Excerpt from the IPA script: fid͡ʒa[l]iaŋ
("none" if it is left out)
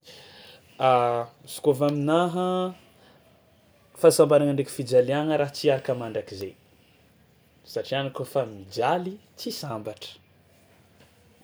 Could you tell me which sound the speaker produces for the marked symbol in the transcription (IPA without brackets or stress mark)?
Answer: l